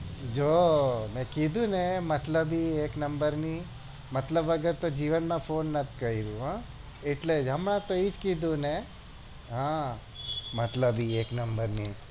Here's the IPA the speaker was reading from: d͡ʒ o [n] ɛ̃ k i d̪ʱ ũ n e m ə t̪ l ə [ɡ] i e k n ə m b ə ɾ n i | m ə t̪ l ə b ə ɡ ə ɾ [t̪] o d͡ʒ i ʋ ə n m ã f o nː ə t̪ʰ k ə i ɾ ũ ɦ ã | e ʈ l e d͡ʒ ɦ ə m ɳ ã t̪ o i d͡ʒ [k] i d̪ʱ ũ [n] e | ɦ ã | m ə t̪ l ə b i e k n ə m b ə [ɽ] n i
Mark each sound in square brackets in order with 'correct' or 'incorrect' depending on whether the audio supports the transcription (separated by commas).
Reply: incorrect, incorrect, correct, correct, correct, incorrect